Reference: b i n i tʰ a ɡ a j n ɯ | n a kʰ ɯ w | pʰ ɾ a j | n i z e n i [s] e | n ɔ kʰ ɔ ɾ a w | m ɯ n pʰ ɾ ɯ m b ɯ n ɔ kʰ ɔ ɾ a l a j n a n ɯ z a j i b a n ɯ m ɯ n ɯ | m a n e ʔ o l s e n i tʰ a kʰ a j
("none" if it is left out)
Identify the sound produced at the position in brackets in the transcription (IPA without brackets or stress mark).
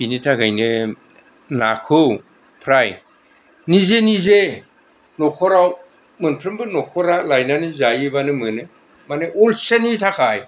z